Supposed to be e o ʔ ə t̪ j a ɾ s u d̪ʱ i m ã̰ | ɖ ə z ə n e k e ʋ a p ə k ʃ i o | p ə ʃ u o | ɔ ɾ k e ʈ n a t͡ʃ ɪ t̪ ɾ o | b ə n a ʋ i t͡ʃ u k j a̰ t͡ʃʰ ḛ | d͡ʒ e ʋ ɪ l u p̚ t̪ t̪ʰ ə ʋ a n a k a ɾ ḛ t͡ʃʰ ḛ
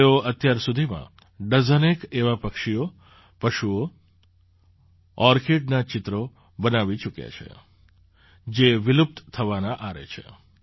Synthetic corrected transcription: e o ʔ ə t̪ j a ɾ s u d̪ʱ i m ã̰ | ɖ ə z ə n e k e ʋ a p ə k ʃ i o | p ə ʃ u o | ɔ ɾ k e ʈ n a t͡ʃ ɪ t̪ ɾ o | b ə n a ʋ i t͡ʃ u k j a̰ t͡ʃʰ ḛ | d͡ʒ e ʋ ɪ l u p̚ t̪ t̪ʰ ə ʋ a n a ʔ a ɾ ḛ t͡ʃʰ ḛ

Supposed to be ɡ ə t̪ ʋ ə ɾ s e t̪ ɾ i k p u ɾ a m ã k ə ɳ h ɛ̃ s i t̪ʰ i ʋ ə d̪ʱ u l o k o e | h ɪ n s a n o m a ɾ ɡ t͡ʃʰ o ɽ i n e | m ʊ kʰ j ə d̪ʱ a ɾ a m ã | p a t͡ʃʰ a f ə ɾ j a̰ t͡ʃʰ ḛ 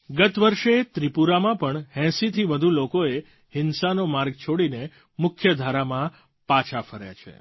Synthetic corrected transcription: ɡ ə t̪ ʋ ə ɾ ʃ e t̪ ɾ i p u ɾ a m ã p ə ɳ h ɛ̃ s i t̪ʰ i ʋ ə d̪ʱ u l o k o e | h ɪ n s a n o m a ɾ ɡ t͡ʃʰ o ɽ i n e | m ʊ kʰ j ə d̪ʱ a ɾ a m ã | p a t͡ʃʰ a f ə ɾ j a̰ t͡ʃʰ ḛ

